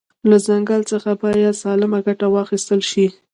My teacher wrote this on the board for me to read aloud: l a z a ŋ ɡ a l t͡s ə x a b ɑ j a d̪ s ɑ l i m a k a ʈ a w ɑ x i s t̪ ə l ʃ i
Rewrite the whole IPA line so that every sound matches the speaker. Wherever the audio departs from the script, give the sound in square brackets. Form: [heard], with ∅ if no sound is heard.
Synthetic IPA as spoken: l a z a ŋ ɡ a l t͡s ə x a b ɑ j a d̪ s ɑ l [ɪ] m a [ɡ] a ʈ a w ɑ x i s t̪ ə l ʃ i